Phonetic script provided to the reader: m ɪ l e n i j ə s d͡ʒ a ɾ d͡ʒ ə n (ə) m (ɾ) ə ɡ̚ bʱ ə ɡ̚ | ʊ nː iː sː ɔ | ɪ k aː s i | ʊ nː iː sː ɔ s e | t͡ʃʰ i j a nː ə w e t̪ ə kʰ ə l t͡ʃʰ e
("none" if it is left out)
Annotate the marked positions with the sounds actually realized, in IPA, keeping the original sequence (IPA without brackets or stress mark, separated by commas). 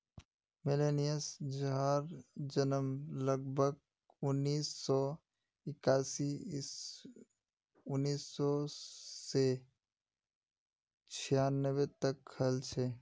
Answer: ə, l